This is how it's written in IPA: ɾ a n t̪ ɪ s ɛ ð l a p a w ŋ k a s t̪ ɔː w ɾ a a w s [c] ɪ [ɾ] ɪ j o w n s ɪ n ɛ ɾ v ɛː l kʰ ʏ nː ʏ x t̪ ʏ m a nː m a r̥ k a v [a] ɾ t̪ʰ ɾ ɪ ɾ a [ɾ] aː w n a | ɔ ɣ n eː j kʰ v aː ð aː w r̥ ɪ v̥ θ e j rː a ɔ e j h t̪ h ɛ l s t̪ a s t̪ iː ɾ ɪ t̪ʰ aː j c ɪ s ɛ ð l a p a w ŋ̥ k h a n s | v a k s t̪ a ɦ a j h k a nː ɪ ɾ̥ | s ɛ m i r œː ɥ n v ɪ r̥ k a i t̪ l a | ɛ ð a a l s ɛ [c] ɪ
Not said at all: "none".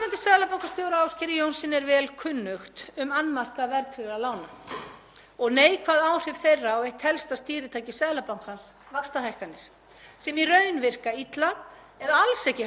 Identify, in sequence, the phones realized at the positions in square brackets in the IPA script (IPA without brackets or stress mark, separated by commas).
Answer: c, ɾ, ɛ, l, c